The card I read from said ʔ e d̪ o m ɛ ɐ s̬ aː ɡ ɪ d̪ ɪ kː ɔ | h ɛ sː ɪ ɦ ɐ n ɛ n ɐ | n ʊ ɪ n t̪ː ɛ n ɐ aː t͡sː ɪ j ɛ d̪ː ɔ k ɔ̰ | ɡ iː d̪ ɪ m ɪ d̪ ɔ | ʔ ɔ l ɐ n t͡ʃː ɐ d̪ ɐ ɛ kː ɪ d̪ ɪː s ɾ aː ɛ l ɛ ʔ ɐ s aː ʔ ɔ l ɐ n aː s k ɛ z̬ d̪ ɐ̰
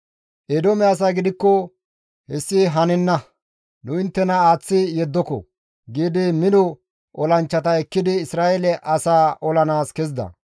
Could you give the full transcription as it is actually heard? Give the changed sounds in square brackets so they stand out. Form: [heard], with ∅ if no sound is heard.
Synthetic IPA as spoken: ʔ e d̪ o m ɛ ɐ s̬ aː ɡ ɪ d̪ ɪ kː ɔ | h ɛ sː ɪ ɦ ɐ n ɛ [nː] ɐ | n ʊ ɪ n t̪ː ɛ n ɐ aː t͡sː ɪ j ɛ d̪ː ɔ k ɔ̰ | ɡ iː d̪ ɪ m ɪ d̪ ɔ | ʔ ɔ l ɐ n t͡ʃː ɐ [t̪] ɐ ɛ kː ɪ d̪ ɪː s ɾ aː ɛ l ɛ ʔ ɐ s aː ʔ ɔ l ɐ n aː s k ɛ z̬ d̪ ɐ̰